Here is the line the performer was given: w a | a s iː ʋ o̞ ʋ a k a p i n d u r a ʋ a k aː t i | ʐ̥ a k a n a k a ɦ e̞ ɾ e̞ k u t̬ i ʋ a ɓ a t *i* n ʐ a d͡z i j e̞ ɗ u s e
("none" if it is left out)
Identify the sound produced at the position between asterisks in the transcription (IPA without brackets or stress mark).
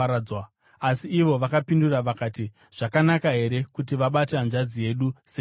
a